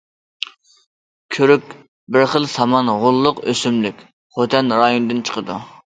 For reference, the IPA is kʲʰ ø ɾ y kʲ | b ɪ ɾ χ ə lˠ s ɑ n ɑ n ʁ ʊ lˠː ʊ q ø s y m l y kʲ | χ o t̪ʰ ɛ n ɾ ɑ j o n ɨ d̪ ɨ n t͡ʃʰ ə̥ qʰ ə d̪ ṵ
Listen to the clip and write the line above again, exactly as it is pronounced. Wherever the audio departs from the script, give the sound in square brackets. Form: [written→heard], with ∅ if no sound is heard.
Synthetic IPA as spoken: kʲʰ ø ɾ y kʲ | b ɪ ɾ χ ə lˠ s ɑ [n→m] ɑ n ʁ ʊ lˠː ʊ q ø s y m l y kʲ | χ o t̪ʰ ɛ n ɾ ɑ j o n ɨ d̪ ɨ n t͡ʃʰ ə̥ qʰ ə d̪ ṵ